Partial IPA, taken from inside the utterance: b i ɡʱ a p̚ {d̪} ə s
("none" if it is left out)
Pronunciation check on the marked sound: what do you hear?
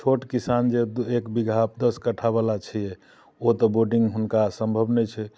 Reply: d̪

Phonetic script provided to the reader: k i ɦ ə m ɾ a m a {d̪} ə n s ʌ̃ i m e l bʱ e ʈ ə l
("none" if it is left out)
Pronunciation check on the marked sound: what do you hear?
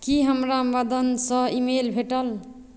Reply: d̪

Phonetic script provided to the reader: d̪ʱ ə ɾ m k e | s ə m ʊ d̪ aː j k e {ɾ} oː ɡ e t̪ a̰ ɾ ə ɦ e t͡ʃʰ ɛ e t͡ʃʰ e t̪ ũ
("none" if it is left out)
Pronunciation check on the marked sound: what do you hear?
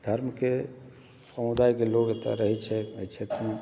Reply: l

